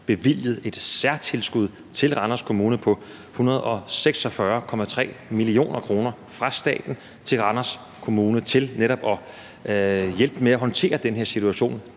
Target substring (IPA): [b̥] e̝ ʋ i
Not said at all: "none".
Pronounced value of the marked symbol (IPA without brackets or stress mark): b̥